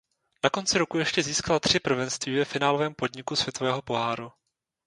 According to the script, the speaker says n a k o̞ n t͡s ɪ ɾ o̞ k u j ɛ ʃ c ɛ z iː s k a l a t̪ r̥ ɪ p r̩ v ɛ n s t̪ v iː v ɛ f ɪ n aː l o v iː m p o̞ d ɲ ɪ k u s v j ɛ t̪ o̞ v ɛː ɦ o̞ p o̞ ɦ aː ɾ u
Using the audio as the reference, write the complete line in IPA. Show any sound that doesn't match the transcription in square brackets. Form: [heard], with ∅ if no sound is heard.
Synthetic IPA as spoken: n a k o̞ n t͡s ɪ ɾ o̞ k u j ɛ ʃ c ɛ z iː s k a l a t̪ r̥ ɪ p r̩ v ɛ n s t̪ v iː v ɛ f ɪ n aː l o v [ɛː] m p o̞ d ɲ ɪ k u s v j ɛ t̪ o̞ v ɛː ɦ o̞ p o̞ ɦ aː ɾ u